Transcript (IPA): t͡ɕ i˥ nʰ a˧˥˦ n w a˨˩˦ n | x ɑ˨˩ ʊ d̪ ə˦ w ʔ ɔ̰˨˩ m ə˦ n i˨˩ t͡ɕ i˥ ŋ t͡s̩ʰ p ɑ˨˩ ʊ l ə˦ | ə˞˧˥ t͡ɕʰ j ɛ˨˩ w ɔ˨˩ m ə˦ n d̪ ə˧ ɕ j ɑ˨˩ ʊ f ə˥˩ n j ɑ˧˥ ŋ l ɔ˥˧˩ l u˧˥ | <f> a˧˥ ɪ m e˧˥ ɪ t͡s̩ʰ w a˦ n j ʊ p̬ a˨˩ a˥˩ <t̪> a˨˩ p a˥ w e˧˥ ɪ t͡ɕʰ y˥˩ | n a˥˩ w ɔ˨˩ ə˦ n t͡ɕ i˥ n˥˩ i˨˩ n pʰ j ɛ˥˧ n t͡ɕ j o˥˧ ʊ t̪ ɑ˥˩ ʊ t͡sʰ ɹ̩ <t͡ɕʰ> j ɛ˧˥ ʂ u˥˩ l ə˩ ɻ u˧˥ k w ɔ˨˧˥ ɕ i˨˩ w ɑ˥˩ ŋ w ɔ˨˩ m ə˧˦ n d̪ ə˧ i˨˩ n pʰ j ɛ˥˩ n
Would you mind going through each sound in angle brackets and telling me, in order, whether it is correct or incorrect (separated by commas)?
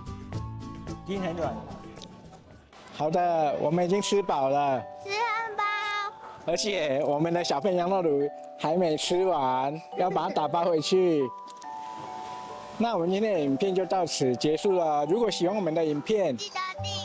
incorrect, correct, incorrect